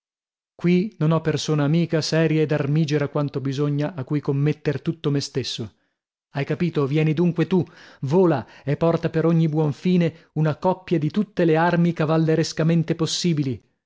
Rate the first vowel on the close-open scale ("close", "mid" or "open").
close